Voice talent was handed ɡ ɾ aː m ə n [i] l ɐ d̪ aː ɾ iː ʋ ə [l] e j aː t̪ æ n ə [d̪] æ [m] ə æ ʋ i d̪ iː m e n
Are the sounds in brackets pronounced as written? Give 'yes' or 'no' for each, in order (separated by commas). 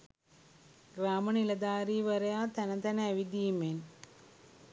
yes, no, no, no